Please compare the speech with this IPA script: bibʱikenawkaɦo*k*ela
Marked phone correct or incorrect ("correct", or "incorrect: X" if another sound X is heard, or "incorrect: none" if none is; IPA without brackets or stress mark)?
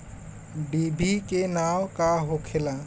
incorrect: kʰ